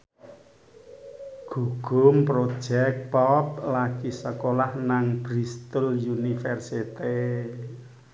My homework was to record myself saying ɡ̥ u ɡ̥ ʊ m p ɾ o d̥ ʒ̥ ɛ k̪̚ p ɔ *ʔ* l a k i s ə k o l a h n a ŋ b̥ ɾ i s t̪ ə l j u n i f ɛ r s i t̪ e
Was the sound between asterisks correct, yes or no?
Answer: no